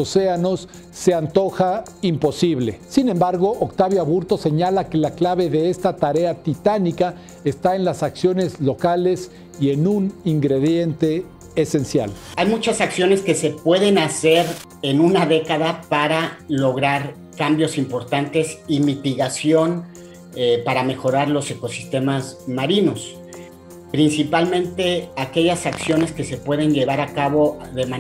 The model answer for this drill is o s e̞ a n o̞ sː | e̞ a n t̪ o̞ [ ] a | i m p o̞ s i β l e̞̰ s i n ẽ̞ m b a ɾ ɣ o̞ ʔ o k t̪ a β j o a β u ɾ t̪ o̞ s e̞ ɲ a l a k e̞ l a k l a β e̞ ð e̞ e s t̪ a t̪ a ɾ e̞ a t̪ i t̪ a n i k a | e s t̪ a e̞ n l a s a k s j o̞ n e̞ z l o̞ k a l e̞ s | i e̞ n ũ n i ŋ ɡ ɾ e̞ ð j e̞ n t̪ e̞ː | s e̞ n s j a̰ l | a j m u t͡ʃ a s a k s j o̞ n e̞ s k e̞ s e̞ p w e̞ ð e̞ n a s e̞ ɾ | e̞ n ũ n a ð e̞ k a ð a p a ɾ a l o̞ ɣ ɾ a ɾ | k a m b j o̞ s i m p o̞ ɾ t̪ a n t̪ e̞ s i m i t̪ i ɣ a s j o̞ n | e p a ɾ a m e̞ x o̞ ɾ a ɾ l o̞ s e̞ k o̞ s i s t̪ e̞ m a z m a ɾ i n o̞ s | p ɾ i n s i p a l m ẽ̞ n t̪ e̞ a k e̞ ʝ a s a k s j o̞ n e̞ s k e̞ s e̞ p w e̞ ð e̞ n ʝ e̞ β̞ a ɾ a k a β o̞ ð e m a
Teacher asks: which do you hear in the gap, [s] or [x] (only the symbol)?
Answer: x